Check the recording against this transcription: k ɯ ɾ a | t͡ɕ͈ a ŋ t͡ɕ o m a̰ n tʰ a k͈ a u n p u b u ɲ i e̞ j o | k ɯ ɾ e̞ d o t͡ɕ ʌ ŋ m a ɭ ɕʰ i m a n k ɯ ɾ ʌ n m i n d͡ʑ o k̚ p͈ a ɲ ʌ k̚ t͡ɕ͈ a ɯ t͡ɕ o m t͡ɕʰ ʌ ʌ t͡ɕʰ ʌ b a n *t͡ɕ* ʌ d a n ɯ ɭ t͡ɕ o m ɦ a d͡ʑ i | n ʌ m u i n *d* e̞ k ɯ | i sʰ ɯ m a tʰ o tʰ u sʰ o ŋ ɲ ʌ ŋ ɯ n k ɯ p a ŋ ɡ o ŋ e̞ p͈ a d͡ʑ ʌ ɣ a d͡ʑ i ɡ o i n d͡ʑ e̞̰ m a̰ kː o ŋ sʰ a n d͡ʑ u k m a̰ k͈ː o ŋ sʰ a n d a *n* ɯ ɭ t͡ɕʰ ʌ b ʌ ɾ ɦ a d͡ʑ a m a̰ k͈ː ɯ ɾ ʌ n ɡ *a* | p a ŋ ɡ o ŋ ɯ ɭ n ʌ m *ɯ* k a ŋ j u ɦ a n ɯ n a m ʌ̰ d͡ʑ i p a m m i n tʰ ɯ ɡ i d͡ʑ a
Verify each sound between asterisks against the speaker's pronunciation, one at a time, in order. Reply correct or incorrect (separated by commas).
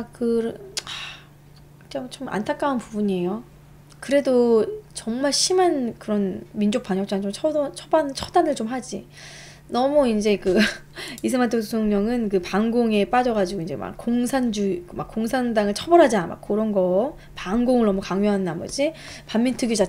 incorrect, incorrect, incorrect, incorrect, incorrect